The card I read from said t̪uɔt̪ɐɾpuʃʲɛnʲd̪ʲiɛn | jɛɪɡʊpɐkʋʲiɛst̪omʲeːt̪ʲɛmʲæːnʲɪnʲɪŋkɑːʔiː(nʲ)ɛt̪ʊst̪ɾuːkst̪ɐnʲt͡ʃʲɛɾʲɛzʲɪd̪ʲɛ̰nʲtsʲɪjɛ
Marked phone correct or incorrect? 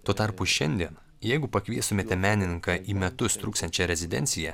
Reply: incorrect